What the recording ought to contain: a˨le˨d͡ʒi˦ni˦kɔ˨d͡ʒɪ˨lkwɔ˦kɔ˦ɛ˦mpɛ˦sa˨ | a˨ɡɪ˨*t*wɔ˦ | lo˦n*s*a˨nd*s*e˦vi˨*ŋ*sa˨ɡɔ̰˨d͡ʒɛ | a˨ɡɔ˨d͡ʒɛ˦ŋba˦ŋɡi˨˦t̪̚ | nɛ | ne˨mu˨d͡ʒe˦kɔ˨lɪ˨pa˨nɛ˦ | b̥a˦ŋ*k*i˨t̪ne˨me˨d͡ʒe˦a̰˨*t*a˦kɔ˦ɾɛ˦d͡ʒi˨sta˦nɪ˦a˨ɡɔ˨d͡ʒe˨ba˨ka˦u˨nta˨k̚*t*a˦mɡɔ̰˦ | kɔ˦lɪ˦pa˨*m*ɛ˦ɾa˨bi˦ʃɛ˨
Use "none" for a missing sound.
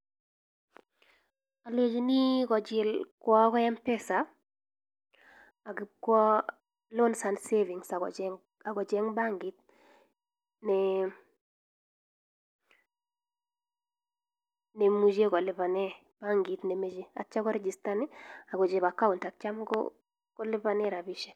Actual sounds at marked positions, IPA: k, s, s, ŋ, ɡ, t͡ʃ, t͡ʃ, n

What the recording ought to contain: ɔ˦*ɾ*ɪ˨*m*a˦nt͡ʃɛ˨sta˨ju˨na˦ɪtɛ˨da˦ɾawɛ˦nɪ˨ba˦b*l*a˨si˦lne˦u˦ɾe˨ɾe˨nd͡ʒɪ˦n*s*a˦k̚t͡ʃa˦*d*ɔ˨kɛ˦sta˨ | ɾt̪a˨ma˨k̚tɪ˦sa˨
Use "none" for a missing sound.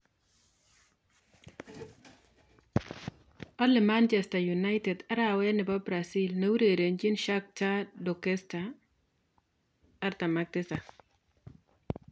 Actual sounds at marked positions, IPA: l, m, ɾ, ʃ, d

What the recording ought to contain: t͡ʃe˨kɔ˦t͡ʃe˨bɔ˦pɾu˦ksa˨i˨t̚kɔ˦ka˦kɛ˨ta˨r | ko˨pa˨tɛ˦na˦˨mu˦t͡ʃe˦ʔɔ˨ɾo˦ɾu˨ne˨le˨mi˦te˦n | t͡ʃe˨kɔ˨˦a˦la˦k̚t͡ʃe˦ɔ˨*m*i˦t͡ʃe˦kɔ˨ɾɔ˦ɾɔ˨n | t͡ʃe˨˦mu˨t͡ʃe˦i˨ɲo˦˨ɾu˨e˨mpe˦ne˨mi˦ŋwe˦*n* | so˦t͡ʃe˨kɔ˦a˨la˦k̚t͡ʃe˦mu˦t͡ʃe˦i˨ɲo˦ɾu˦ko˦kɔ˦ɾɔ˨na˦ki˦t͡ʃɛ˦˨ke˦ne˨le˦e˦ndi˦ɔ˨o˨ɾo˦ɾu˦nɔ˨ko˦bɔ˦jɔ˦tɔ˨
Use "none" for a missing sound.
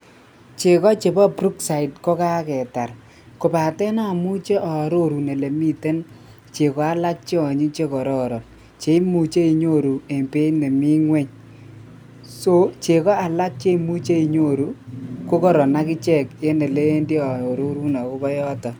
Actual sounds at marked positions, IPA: ɲ, ɲ

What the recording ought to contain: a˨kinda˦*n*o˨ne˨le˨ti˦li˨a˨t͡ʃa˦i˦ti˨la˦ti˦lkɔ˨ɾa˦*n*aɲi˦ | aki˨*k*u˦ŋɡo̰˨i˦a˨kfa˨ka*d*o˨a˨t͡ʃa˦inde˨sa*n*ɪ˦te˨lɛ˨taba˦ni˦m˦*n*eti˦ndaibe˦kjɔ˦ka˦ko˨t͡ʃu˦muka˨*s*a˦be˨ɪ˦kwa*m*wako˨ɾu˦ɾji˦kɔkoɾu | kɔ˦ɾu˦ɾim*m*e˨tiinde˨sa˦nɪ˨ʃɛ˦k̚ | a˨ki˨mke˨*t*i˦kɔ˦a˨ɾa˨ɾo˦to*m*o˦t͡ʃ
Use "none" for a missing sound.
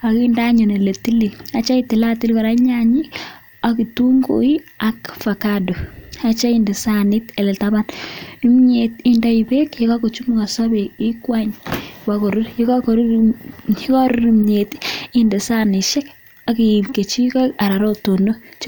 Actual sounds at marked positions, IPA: ɲ, ɲ, t, d, n, ɲ, s, ɲ, ɲ, t͡ʃ, n

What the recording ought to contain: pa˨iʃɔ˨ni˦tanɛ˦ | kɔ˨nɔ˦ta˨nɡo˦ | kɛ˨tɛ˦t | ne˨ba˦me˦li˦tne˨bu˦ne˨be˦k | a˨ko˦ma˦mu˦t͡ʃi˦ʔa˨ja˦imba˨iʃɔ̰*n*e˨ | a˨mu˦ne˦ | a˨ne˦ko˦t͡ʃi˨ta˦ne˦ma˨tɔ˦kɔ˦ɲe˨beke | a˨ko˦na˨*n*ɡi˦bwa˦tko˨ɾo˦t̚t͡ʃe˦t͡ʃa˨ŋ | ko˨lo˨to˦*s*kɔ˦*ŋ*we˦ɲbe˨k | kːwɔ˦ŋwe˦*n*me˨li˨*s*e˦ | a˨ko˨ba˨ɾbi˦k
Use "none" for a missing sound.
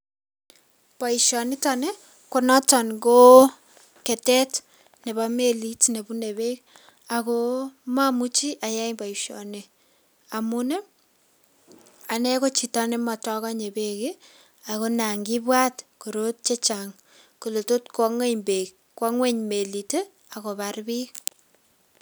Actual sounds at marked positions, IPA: n, ŋ, t, ŋ, ɲ, t

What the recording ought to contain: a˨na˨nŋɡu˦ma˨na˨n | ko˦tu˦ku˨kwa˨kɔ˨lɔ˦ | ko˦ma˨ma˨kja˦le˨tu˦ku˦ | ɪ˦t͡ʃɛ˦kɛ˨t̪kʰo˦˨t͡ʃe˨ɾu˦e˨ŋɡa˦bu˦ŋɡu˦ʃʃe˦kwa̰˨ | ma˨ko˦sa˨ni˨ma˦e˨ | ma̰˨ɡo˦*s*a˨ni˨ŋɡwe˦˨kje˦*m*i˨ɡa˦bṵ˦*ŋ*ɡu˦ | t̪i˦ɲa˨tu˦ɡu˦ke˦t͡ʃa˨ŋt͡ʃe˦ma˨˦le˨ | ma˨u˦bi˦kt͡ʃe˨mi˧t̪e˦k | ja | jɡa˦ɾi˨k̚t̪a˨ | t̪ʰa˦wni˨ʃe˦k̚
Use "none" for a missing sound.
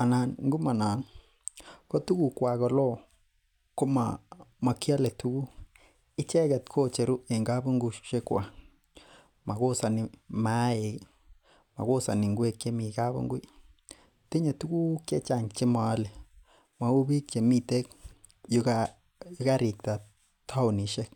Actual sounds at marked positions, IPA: s, m, ŋ

